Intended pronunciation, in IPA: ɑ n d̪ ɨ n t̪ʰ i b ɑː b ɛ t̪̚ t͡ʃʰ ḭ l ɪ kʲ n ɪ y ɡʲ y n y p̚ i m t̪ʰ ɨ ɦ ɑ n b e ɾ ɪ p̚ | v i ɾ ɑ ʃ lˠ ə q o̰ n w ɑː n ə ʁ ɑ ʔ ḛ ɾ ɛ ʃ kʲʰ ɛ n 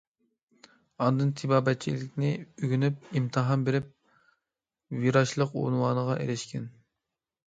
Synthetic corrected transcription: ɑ n d̪ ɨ n t̪ʰ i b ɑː b ɛ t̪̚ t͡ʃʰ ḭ l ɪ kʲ n ɪ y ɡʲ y n y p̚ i m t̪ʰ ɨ ɦ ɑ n b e ɾ ɪ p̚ | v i ɾ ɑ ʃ lˠ ə q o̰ n w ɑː n ə ʁ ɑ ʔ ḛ ɾ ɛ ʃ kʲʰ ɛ n